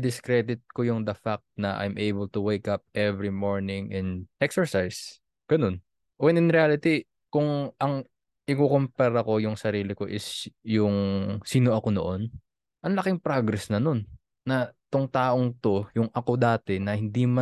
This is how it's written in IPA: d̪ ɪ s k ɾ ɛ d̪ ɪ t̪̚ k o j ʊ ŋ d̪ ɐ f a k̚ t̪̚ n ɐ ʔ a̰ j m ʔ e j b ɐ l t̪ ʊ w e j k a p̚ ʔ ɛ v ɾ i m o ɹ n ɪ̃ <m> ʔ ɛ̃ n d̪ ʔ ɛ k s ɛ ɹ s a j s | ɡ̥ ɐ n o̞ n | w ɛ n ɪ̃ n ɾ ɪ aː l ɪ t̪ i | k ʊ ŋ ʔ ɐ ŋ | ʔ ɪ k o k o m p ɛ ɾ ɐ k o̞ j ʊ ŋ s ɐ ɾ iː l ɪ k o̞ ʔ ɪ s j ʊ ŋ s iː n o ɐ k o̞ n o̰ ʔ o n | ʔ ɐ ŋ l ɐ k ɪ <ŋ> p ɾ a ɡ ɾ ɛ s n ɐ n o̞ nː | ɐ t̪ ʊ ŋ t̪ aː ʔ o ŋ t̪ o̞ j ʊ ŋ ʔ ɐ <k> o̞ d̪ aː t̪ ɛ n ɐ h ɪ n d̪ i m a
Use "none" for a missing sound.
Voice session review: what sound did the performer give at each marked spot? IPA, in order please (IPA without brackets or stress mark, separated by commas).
ŋ, ŋ, k